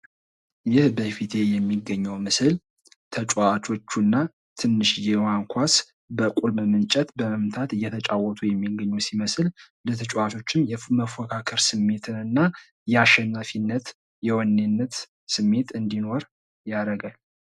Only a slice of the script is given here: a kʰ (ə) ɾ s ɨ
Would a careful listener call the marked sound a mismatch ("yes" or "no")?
no